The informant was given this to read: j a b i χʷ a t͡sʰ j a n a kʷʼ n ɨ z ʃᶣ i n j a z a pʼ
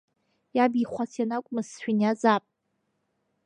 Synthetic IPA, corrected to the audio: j a b i χʷ a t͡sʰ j a n a kʷʼ m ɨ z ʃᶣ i n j a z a pʼ